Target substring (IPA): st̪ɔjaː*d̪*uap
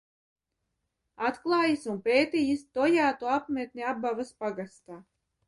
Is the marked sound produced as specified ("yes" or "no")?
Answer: no